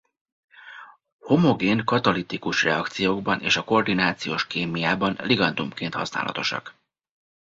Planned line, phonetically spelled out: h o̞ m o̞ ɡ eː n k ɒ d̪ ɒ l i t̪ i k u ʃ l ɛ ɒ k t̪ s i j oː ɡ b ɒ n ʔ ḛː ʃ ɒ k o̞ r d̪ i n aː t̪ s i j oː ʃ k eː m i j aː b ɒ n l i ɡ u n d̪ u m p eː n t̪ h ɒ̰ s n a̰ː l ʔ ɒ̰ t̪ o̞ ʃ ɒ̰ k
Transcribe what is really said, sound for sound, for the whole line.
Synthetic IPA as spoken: h o̞ m o̞ ɡ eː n k ɒ t̪ ɒ l i t̪ i k u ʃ r ɛ ɒ k t̪ s i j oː ɡ b ɒ n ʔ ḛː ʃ ɒ k o̞ r d̪ i n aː t̪ s i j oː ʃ k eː m i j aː b ɒ n l i ɡ ɒ n d̪ u m k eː n t̪ h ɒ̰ s n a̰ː l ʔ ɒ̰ t̪ o̞ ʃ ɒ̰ k